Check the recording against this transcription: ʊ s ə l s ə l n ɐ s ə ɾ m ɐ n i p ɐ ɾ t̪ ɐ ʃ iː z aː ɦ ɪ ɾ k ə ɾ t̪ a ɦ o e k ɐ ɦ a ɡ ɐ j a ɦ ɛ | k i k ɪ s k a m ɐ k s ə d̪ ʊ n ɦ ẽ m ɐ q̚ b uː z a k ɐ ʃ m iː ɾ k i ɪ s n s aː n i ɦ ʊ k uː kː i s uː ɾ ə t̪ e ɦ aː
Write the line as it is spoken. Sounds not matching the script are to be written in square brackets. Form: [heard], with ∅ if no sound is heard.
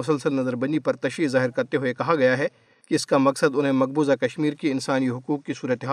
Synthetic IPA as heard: ʊ s ə l s ə l n ɐ [z] ə ɾ [b] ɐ n i p ɐ ɾ t̪ ɐ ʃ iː z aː ɦ ɪ ɾ k [ɐ] ɾ t̪ [e] ɦ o e k ɐ ɦ a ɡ ɐ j a ɦ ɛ | k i [∅] ɪ s k a m ɐ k s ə d̪ ʊ n ɦ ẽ m ɐ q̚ b uː z a k ɐ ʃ m iː ɾ k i ɪ [∅] n s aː n i ɦ ʊ k uː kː i s uː ɾ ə t̪ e ɦ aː